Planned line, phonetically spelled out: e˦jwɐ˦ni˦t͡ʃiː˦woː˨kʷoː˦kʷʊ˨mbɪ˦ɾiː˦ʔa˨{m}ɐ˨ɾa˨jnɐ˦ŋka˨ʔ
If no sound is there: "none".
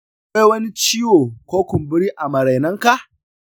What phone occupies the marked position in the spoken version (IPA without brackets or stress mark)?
m